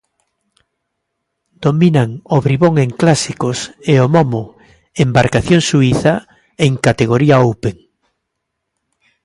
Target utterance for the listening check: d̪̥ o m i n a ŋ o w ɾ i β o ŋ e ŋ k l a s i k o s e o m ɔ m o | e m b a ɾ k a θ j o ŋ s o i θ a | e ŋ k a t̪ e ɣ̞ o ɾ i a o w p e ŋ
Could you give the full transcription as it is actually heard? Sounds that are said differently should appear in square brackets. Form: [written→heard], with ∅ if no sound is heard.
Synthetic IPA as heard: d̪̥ o m i n a ŋ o [w→β] ɾ i β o ŋ e ŋ k l a s i k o s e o m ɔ m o | e m b a ɾ k a θ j o ŋ s [o→u] i θ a | e ŋ k a t̪ e ɣ̞ o ɾ i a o w p e ŋ